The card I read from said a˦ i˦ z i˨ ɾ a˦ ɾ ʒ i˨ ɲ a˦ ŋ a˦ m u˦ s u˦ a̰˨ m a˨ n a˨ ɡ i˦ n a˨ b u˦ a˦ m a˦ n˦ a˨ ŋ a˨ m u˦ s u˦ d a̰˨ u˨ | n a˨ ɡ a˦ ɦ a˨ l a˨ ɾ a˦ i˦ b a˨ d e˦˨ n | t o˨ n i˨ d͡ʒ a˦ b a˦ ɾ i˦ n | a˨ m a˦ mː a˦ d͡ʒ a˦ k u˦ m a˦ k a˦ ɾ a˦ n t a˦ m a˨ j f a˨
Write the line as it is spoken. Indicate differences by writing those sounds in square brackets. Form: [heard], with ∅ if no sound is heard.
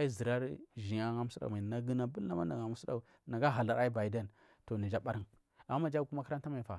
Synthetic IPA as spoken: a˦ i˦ z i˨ ɾ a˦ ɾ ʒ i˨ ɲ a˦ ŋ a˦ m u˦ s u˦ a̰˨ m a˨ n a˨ ɡ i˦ n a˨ b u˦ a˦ m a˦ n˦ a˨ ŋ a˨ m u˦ s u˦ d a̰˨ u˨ | n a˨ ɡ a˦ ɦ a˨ l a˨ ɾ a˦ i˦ b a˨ d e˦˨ n | t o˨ n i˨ d͡ʒ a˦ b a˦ ɾ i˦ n | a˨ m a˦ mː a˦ d͡ʒ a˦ k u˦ m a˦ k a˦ ɾ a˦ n t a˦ m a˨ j f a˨